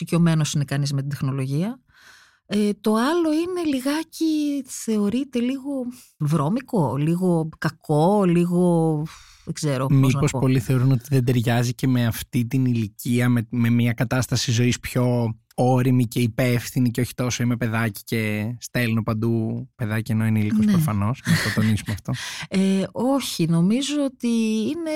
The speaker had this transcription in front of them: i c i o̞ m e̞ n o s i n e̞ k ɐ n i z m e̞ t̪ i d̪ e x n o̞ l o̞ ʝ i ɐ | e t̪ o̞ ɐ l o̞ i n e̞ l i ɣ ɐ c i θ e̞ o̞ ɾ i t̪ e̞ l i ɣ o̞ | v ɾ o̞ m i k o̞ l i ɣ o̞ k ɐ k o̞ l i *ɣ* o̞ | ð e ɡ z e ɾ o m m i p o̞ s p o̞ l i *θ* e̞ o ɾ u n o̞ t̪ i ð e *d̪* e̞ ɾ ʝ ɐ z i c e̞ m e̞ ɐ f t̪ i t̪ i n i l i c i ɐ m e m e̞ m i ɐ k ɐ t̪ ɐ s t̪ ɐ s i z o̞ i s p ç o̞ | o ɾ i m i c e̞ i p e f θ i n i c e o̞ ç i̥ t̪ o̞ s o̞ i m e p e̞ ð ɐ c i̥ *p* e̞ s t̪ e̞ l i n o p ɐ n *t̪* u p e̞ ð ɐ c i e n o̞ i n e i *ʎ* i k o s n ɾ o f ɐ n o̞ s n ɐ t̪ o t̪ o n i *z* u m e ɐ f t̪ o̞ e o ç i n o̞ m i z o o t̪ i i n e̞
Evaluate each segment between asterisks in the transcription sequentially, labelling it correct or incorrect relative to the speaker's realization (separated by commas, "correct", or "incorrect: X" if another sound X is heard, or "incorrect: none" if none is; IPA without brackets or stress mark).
correct, correct, correct, incorrect: c, incorrect: d̪, incorrect: l, incorrect: s